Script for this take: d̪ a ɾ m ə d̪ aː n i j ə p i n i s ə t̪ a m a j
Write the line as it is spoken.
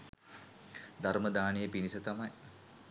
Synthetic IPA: d̪ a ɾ m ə d̪ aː n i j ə p i n i s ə t̪ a m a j